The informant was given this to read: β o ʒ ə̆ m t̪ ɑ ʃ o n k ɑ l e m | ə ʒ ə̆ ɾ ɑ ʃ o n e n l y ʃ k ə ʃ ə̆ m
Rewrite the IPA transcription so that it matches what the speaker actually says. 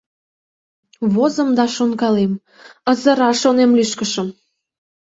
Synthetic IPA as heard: β o z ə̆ m d̪ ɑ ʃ o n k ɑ l e m | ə z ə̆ ɾ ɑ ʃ o n e m l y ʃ k ə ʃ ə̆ m